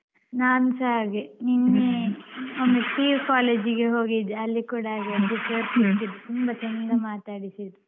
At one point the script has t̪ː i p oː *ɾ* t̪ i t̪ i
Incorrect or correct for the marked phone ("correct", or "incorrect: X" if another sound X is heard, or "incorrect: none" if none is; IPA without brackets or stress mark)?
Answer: correct